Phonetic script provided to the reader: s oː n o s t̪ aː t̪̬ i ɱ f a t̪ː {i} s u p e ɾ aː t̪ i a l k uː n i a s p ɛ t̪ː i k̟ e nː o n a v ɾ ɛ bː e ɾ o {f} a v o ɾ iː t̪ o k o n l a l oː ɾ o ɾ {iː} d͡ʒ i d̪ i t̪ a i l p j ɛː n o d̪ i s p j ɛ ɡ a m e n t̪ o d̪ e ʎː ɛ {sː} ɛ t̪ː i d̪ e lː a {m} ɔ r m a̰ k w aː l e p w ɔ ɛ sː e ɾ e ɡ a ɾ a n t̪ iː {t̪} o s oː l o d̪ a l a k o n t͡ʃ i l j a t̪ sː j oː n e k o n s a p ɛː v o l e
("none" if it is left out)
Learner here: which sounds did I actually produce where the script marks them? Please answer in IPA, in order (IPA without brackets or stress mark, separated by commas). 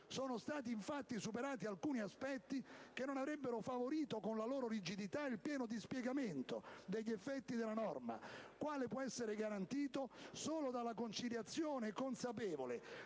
i, f, i, fː, n, t̪